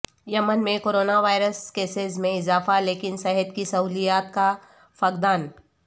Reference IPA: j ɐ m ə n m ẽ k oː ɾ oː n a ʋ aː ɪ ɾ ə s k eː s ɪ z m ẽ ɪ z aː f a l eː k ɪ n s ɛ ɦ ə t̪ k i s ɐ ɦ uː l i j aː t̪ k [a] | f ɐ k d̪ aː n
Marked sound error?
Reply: no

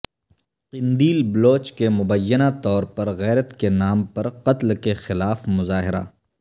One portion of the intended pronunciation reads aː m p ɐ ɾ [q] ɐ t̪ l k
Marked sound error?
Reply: no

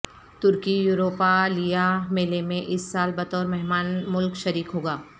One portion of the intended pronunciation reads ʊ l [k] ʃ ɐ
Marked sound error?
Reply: no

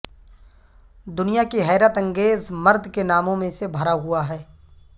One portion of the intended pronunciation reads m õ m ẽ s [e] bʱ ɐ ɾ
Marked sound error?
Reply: no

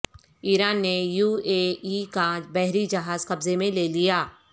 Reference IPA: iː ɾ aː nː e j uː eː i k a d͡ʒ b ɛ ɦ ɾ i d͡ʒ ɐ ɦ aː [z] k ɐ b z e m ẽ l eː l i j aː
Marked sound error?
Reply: no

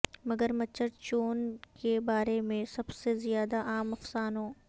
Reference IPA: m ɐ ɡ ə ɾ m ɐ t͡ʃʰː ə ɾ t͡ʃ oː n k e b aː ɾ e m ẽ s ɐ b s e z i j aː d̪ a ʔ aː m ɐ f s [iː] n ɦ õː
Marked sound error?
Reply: yes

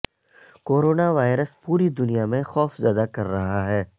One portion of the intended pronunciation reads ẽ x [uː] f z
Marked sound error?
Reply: yes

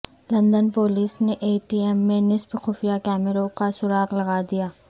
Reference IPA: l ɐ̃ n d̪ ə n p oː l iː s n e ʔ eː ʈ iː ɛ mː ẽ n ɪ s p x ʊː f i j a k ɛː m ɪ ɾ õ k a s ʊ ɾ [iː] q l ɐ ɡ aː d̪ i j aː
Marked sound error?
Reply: yes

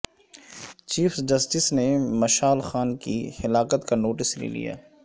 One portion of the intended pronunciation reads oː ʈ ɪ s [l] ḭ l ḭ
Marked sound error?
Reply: no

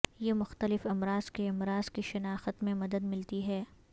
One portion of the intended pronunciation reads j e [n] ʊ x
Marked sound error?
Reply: yes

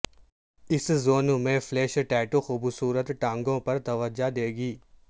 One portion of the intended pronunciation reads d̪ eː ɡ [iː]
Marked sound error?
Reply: no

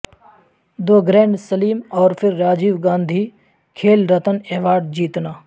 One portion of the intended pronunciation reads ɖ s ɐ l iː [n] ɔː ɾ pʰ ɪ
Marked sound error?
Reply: yes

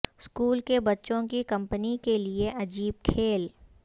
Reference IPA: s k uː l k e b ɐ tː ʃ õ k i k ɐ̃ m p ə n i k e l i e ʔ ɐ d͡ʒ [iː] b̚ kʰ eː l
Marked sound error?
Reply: no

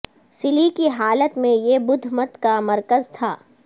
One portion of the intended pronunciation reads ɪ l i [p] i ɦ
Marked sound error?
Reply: yes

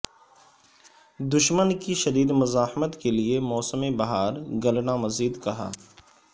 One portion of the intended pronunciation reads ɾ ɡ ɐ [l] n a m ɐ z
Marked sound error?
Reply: no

